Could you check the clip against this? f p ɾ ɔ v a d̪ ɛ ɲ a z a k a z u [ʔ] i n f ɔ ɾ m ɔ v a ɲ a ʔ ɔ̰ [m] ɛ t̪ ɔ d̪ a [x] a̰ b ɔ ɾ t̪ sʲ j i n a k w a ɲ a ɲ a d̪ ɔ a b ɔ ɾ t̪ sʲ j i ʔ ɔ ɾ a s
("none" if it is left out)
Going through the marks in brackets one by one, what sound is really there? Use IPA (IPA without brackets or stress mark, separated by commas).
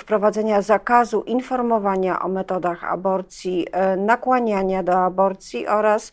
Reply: ʔ, m, x